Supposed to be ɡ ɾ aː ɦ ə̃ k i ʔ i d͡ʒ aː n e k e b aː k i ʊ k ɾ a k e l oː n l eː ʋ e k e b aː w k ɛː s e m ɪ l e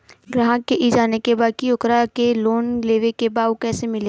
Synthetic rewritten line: ɡ ɾ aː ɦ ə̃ k e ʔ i d͡ʒ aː n e k e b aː k i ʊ k ɾ a k e l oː n l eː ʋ e k e b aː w k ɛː s e m ɪ l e